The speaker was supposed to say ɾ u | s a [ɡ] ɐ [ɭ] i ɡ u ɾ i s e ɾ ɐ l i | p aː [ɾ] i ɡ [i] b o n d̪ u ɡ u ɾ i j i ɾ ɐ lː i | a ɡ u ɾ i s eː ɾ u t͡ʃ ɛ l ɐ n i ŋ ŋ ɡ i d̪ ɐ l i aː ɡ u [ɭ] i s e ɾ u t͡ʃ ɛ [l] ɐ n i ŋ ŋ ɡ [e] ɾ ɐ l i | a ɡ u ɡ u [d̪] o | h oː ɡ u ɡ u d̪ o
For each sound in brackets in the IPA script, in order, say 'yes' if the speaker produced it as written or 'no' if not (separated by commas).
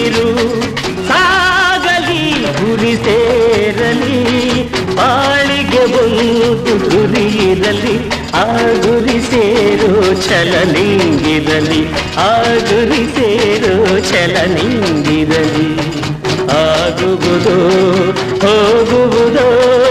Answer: yes, no, no, no, no, yes, no, yes